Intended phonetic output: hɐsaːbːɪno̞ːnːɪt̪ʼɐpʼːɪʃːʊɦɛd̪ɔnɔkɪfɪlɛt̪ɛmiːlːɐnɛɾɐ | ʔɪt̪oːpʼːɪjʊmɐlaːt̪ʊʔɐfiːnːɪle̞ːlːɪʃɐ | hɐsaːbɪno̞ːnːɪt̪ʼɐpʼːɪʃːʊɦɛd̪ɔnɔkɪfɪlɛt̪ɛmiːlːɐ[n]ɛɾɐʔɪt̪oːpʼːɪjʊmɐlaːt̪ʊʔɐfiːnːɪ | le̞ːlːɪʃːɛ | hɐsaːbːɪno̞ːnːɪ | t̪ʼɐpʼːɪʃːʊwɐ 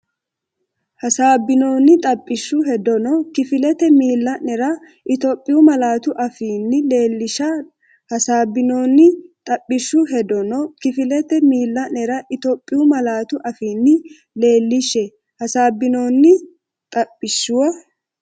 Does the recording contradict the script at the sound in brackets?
no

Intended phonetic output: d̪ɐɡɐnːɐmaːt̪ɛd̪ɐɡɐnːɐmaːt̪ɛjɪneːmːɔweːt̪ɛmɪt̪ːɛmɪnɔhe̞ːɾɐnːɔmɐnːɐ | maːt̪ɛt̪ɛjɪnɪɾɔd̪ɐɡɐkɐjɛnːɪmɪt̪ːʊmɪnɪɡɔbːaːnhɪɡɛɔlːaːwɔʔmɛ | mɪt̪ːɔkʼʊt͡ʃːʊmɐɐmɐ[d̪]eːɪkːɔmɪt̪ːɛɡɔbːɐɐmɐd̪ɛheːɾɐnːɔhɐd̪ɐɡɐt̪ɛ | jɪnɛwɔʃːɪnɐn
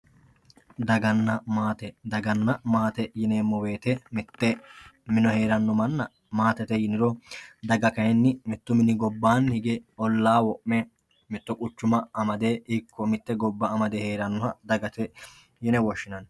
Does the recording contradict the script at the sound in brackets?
no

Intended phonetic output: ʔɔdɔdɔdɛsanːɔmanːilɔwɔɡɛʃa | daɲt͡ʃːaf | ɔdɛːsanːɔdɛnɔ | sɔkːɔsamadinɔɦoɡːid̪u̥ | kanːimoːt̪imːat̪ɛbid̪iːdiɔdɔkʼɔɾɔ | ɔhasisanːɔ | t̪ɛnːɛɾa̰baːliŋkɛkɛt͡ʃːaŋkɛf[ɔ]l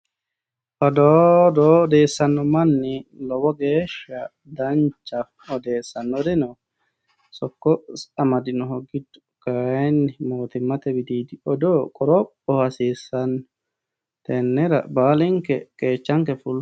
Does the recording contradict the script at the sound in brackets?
yes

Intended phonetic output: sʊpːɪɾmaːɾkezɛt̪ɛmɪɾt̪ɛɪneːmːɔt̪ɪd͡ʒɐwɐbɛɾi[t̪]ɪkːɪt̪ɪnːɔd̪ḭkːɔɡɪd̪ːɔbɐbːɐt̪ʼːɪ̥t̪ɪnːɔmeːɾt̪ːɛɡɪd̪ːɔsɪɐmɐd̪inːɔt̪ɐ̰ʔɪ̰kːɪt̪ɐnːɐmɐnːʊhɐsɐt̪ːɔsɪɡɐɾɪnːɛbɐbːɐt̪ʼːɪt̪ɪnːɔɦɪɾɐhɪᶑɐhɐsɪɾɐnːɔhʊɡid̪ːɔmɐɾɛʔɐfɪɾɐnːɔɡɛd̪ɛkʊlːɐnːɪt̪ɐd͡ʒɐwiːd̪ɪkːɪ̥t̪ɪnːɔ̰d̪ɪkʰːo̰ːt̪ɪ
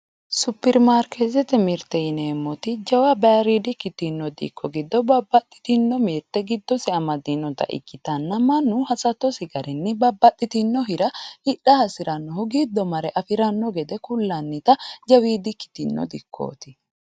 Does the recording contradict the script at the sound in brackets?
yes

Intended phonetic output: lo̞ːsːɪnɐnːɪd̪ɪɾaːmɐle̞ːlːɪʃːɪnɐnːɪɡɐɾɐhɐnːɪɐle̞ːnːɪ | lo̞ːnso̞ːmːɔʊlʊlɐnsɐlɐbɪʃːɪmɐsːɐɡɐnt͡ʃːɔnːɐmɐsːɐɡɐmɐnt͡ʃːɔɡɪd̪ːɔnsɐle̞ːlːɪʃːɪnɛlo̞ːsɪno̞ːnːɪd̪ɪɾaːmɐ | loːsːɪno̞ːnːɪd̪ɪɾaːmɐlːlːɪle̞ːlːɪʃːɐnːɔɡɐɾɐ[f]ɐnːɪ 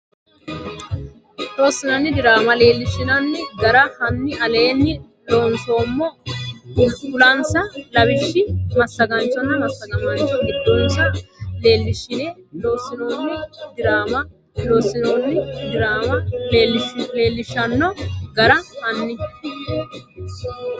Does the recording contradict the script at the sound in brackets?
yes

